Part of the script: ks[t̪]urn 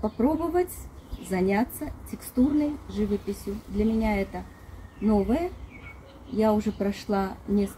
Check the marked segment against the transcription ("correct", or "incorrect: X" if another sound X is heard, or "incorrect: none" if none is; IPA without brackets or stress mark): correct